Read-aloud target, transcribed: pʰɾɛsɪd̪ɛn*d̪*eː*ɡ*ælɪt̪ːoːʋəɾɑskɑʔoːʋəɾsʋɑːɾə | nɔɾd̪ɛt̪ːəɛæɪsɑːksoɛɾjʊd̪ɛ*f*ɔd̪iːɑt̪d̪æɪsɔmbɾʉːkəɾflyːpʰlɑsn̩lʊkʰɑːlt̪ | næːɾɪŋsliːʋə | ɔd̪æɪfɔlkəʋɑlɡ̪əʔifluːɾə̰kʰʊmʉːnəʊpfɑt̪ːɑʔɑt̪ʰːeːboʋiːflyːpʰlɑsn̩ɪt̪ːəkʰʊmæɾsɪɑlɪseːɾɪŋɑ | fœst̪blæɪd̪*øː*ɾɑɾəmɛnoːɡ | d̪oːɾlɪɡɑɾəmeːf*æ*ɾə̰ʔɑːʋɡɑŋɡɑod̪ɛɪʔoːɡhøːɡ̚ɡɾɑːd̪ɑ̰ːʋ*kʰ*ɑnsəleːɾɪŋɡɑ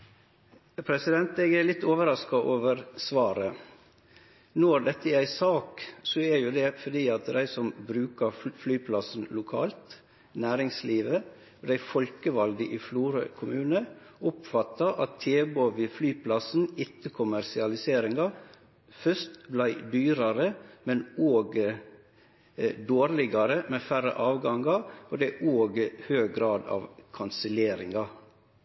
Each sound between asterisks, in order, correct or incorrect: incorrect: t̪, correct, correct, incorrect: yː, correct, correct

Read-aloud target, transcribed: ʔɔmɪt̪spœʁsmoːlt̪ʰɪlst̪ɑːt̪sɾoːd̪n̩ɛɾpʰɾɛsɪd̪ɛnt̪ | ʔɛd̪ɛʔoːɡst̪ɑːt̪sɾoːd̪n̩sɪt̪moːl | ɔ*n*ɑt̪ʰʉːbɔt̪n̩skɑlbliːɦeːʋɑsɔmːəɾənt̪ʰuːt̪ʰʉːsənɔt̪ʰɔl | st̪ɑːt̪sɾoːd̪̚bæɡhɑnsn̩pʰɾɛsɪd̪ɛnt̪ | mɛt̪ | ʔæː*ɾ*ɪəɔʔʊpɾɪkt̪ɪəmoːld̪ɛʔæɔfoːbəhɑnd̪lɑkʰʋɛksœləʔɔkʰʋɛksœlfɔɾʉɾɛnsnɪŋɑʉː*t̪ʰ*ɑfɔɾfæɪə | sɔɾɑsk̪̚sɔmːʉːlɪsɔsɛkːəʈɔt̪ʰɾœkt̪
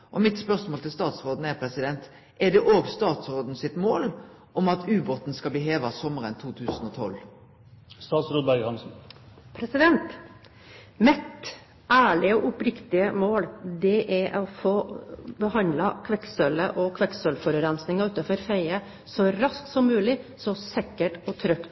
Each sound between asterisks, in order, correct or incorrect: incorrect: m, incorrect: ɭ, incorrect: t̪

